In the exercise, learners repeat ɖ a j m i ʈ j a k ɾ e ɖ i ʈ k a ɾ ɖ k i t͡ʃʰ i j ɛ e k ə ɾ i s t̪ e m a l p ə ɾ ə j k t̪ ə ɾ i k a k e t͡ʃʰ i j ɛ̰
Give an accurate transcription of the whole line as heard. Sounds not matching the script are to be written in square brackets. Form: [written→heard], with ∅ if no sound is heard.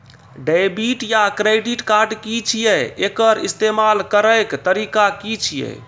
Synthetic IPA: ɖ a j [m→b] i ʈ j a k ɾ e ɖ i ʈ k a ɾ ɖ k i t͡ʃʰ i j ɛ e k ə ɾ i s t̪ e m a l [p→k] ə ɾ ə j k t̪ ə ɾ i k a k [e→i] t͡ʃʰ i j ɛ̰

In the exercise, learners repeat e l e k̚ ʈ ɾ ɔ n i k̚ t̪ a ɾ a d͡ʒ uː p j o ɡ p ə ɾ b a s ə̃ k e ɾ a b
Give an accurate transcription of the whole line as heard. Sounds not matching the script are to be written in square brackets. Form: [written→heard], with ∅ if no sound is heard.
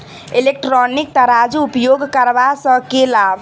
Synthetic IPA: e l e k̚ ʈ ɾ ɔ n i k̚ t̪ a ɾ a d͡ʒ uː p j o ɡ [p→k] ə ɾ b a s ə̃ k e [ɾ→l] a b

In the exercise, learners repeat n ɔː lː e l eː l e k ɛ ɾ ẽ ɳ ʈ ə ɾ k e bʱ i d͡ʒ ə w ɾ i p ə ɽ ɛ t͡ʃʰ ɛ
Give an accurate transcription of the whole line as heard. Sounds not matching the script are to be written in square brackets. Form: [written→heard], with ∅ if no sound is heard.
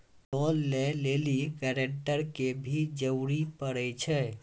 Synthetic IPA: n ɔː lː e l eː l [e→i] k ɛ ɾ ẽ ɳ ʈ ə ɾ k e bʱ i d͡ʒ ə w ɾ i p ə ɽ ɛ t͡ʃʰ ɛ

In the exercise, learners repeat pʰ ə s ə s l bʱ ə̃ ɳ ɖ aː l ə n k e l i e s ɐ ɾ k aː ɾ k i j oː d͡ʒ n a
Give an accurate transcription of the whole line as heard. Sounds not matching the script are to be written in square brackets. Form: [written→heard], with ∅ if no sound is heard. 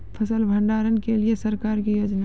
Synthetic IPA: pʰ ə s ə [s→∅] l bʱ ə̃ ɳ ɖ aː [l→ɾ] ə n k e l i e s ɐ ɾ k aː ɾ k i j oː d͡ʒ n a

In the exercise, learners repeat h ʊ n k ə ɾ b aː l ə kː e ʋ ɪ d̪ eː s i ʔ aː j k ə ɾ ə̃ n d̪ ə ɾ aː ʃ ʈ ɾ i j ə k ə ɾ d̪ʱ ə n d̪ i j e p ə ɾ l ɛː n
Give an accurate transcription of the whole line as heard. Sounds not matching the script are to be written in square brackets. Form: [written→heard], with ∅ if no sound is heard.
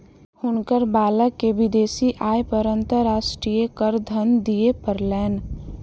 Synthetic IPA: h ʊ n k ə ɾ b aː l ə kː e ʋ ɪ d̪ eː s i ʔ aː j [k→p] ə ɾ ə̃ n [d̪→t̪] ə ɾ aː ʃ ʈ ɾ i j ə k ə ɾ d̪ʱ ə n d̪ i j e p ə ɾ l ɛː n

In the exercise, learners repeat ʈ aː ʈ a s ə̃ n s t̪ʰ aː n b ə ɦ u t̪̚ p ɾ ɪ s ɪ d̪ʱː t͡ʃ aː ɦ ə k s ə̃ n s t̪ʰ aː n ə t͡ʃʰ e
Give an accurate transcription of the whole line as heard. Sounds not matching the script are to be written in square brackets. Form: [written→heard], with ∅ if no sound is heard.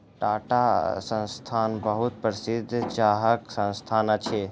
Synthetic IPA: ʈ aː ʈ a s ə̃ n s t̪ʰ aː n b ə ɦ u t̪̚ p ɾ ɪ s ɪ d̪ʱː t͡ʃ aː ɦ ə k s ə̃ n s t̪ʰ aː n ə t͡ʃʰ e

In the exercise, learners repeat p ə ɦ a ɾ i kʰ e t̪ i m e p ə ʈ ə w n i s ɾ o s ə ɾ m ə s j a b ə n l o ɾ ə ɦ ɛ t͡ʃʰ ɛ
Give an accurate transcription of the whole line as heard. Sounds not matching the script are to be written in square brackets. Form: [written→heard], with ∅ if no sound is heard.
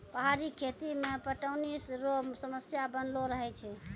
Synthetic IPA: p ə ɦ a ɾ i kʰ e t̪ i m e p ə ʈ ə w n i s ɾ o s ə [ɾ→∅] m ə s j a b ə n l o ɾ ə ɦ ɛ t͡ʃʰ ɛ

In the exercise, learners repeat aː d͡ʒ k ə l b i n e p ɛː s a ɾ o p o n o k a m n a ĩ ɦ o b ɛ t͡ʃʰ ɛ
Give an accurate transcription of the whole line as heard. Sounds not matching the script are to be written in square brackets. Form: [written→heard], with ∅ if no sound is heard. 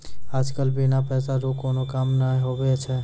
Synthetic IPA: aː d͡ʒ k ə l b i n [e→a] p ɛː s a ɾ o [p→k] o n o k a m n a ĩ ɦ o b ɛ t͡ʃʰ ɛ

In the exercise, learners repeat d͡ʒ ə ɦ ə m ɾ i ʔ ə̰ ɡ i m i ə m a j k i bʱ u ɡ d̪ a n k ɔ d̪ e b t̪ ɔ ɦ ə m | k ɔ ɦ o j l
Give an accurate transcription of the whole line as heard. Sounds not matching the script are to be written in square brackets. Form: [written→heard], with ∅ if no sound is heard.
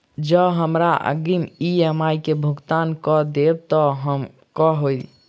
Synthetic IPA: d͡ʒ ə ɦ ə m ɾ [i→a] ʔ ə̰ ɡ i m i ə m a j k [i→e] bʱ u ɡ [d̪→t̪] a n k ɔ d̪ e b t̪ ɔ ɦ ə m | k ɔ ɦ o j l

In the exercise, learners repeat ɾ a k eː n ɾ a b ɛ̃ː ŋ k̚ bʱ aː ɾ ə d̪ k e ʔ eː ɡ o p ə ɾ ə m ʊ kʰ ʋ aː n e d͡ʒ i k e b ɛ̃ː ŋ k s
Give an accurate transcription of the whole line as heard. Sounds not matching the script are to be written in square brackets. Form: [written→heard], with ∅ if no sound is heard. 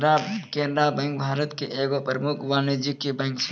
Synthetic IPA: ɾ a k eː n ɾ a b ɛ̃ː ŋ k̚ bʱ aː ɾ ə [d̪→t̪] k e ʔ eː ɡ o p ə ɾ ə m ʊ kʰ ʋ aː n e d͡ʒ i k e b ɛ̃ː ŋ k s

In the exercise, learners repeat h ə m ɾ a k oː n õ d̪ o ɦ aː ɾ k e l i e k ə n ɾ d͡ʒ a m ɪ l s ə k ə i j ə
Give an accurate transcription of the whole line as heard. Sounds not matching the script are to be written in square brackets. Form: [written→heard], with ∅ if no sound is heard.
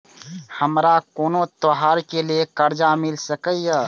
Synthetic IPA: h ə m ɾ a k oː n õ [d̪→t̪] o ɦ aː ɾ k e l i e k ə [n→∅] ɾ d͡ʒ a m ɪ l s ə k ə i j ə

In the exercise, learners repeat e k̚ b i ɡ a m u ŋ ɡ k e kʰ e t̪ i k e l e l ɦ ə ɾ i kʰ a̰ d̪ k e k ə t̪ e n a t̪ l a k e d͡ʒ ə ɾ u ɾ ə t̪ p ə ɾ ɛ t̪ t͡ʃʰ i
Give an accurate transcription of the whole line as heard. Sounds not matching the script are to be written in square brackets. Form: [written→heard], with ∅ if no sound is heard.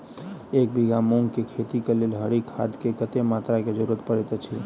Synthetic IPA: e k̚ b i ɡ a m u ŋ ɡ k e kʰ e t̪ i k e l e l ɦ ə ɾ i kʰ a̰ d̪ k e k ə t̪ e [n→m] a t̪ [l→ɾ] a k e d͡ʒ ə ɾ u ɾ ə t̪ p ə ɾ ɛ t̪ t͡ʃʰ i

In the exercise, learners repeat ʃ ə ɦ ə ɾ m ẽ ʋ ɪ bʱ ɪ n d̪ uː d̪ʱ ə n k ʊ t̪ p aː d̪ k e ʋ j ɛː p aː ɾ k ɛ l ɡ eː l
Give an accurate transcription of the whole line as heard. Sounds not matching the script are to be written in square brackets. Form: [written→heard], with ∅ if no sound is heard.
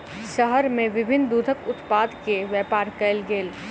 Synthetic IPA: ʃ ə ɦ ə ɾ m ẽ ʋ ɪ bʱ ɪ n d̪ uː d̪ʱ ə [n→∅] k ʊ t̪ p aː d̪ k e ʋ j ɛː p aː ɾ k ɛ l ɡ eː l

